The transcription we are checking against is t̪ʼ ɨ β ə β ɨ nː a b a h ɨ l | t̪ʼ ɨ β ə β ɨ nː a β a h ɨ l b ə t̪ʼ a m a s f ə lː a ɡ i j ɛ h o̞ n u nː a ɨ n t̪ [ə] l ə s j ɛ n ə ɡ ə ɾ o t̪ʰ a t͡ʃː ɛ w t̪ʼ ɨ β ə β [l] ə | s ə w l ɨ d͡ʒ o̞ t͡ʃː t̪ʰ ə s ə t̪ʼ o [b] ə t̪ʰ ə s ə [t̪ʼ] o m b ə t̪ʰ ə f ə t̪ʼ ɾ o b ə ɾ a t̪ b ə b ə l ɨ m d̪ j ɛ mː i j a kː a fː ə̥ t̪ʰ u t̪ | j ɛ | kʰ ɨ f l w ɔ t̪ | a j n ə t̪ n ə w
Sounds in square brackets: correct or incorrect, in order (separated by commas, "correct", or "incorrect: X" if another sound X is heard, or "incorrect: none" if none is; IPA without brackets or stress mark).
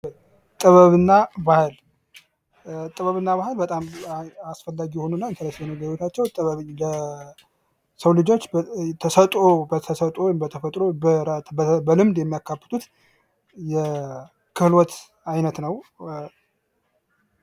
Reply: correct, correct, correct, correct